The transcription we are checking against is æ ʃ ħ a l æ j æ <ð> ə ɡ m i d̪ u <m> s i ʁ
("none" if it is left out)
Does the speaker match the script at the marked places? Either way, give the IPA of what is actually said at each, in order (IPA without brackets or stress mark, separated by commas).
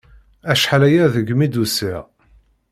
ð, none